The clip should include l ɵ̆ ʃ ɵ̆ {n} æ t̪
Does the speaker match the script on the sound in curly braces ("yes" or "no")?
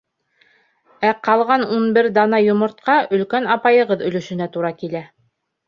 yes